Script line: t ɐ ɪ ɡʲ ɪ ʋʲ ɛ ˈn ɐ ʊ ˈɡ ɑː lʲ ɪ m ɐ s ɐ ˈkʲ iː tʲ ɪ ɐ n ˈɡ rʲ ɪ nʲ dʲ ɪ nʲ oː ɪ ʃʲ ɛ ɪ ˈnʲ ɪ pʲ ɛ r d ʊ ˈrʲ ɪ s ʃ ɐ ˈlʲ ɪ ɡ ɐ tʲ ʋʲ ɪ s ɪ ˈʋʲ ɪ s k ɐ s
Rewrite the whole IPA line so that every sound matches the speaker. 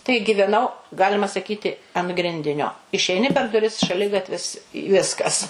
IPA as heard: t ɐ ɪ ɡʲ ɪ ʋʲ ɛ ˈn ɐ ʊ ˈɡ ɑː lʲ ɪ m ɐ s ɐ ˈkʲ iː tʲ ɪ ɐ n ˈɡ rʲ ɪ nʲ dʲ ɪ nʲ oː ɪ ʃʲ ɛ ɪ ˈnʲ ɪ pʲ ɛ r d ʊ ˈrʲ ɪ s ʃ ɐ ˈlʲ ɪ ɡ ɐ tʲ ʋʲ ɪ s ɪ ˈʋʲ ɪ s k ɐ s